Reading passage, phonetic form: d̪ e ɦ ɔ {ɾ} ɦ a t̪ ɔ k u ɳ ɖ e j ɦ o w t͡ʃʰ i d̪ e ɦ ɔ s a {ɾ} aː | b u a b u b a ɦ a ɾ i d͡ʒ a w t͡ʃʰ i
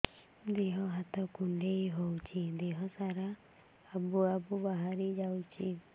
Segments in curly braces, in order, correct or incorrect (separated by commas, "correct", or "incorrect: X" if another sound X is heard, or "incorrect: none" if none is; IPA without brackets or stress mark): incorrect: none, correct